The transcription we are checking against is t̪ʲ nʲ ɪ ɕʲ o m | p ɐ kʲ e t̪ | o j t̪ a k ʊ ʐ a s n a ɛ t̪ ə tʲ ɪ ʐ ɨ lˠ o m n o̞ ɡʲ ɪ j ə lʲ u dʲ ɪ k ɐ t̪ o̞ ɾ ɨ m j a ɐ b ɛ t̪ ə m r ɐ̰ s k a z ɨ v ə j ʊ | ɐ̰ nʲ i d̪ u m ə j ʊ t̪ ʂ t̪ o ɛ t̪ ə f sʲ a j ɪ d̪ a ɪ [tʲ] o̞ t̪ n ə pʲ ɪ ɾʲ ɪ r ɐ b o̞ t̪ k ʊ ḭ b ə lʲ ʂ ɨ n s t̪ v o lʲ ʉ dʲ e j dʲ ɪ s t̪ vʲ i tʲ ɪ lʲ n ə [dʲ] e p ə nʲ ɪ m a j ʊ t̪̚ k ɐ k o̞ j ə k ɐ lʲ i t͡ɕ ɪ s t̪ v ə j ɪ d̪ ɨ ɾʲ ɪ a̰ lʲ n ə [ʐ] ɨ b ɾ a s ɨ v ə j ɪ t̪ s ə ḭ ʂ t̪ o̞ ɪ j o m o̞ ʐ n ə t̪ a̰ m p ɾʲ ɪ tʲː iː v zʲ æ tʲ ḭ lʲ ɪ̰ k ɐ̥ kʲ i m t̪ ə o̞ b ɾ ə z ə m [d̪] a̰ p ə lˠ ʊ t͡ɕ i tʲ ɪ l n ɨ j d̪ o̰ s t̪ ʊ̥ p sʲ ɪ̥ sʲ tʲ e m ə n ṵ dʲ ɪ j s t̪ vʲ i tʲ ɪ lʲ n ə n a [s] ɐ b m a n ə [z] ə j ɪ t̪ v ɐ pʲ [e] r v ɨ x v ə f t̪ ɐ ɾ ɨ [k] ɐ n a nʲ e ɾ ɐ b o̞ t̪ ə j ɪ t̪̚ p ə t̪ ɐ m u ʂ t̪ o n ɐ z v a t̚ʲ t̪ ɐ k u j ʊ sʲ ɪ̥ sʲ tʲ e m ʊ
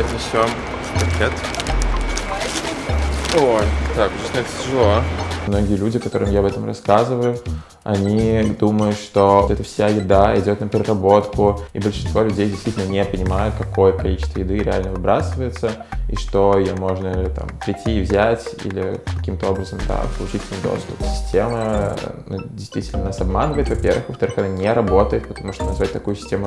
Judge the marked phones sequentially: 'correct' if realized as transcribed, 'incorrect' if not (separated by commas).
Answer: incorrect, incorrect, incorrect, correct, correct, incorrect, correct, incorrect